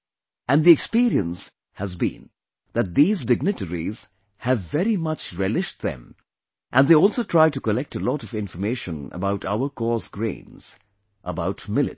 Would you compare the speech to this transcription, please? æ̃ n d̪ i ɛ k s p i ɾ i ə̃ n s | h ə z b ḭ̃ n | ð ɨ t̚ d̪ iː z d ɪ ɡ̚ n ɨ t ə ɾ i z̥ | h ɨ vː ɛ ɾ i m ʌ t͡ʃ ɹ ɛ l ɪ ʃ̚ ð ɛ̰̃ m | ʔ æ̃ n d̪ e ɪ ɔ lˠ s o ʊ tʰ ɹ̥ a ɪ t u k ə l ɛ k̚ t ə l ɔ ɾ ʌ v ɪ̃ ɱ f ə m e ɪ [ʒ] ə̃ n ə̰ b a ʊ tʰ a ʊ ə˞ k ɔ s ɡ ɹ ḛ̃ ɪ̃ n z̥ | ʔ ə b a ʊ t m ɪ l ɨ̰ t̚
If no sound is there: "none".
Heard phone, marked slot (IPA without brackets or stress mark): ʃ